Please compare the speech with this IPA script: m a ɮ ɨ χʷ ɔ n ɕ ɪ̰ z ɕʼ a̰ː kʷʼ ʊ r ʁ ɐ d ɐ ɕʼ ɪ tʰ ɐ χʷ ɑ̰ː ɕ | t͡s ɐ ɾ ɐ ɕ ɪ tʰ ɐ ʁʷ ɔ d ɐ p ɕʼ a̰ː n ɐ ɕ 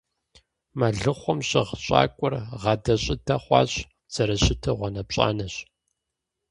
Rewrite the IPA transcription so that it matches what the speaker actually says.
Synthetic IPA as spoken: m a ɮ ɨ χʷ ɔ m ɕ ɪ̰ ʁ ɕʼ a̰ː kʷʼ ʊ r ʁ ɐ d ɐ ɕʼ ɪ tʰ ɐ χʷ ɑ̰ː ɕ | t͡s ɐ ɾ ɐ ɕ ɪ tʰ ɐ ʁʷ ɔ n ɐ p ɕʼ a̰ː n ɐ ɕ

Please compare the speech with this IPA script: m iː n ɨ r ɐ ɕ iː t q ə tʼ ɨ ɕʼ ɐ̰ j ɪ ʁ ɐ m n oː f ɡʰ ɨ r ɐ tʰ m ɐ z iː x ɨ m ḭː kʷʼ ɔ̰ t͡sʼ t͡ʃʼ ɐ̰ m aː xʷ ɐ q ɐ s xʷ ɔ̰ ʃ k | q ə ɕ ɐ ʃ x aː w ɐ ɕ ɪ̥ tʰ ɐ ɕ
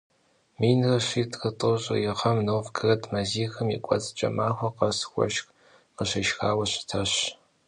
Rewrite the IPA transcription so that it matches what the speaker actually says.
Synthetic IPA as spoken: m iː n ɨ r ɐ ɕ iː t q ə tʼ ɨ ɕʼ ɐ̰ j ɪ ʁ ɐ m n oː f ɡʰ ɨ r ɐ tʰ m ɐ z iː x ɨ m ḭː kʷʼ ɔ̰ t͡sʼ t͡ʃʼ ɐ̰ m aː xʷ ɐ q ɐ s xʷ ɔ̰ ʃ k | q ə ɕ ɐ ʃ x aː w ɐ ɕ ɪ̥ tʰ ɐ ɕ

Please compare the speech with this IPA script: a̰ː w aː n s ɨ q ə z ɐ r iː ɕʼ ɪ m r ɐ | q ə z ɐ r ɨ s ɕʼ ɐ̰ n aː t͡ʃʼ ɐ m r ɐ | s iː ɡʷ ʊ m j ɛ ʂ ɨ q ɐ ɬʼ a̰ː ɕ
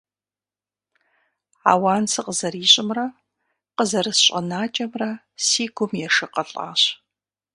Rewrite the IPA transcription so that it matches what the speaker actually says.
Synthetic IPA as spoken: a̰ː w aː n s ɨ q ə z ɐ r iː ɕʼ ɪ m r ɐ | q ə z ɐ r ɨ s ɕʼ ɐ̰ n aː t͡ʃʼ ɐ m r ɐ | s iː ɡʷ ʊ m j ɛ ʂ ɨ q ɐ ɬʼ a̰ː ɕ

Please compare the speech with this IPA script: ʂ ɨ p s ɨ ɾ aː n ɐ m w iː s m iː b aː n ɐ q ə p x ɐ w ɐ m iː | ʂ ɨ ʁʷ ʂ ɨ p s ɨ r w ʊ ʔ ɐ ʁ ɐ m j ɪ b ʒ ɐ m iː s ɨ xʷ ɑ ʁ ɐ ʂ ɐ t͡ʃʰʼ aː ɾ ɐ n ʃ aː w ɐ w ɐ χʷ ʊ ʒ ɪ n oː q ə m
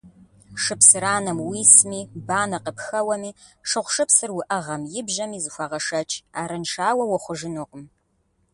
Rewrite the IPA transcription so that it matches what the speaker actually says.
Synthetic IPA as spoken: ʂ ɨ p s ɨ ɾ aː n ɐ m w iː s m iː b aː n ɐ q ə p x ɐ w ɐ m iː | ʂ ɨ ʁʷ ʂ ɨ p s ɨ r w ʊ ʔ ɐ ʁ ɐ m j ɪ b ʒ ɐ m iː z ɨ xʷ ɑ ʁ ɐ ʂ ɐ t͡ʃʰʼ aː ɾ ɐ n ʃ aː w ɐ w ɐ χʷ ʊ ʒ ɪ n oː q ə m

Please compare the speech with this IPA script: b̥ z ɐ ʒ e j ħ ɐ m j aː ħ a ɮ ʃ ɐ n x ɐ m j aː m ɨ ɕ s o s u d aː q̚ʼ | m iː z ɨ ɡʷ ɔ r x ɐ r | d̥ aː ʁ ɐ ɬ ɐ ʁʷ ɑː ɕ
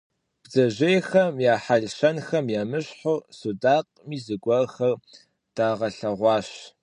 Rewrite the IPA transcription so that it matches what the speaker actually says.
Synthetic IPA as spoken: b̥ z ɐ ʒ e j x ɐ m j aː ħ a ɮ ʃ ɐ n x ɐ m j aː m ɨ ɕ ħ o s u d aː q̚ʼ | m iː z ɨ ɡʷ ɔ r x ɐ r | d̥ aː ʁ ɐ ɬ ɐ ʁʷ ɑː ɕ

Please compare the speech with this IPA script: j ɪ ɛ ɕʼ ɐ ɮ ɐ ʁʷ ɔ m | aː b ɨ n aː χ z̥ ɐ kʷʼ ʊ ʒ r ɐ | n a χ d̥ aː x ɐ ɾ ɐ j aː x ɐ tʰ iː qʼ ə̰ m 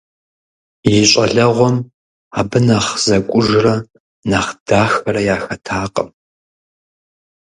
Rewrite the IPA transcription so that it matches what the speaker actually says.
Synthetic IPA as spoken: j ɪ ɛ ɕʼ ɐ ɮ ɐ ʁʷ ɔ m | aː b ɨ n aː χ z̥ ɐ kʷʼ ʊ ʒ r ɐ | n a χ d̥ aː x ɐ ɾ ɐ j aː x ɐ tʰ aː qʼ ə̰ m

